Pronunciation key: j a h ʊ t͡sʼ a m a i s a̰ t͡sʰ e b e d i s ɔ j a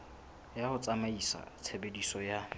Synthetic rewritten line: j a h ʊ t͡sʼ a m a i s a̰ t͡sʰ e b e d i s ɔ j a